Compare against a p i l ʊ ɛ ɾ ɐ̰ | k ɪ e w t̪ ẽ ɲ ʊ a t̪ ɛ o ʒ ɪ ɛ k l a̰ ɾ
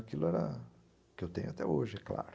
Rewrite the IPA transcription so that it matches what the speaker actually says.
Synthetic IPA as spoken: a k i l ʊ ɛ ɾ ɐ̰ | k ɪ e w t̪ ẽ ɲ ʊ a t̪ ɛ o ʒ ɪ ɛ k l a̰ ɾ